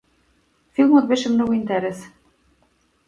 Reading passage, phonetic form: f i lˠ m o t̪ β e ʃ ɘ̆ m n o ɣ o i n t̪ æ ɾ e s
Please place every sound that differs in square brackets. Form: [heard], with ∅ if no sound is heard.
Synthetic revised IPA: f i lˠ m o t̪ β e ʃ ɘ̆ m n o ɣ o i n t̪ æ ɾ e s